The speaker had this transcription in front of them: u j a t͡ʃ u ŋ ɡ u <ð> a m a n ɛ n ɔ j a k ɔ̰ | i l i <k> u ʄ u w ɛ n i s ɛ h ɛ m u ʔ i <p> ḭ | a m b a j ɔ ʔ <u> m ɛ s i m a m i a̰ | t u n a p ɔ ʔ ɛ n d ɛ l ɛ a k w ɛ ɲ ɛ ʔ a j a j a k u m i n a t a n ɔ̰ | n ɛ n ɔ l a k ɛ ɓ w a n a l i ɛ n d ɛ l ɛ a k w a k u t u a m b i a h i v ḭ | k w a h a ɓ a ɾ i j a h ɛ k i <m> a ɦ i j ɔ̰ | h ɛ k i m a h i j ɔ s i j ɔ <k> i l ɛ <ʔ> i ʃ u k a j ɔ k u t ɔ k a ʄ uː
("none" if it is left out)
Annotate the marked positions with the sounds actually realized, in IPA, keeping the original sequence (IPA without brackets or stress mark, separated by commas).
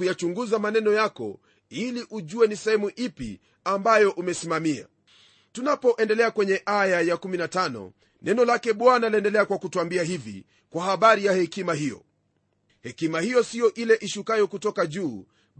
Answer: z, ʔ, p, u, m, ʔ, ʔ